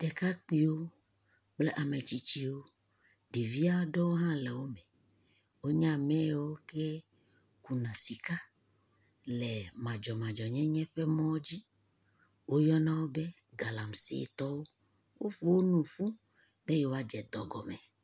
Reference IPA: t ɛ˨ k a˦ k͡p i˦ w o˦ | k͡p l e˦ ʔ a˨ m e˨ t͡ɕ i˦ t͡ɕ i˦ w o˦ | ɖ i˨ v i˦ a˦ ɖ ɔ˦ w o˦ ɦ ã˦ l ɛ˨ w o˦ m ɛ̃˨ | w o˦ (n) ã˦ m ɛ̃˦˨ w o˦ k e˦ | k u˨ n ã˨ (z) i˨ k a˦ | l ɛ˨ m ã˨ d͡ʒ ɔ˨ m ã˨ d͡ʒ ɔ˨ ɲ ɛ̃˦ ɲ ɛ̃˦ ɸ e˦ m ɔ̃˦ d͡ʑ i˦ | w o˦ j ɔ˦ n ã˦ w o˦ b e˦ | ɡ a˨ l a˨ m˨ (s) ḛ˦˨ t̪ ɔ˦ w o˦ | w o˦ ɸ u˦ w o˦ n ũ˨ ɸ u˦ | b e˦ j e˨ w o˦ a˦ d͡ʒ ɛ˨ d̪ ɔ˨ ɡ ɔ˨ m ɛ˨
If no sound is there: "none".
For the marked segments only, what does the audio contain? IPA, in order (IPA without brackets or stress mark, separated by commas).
ɲ, s, s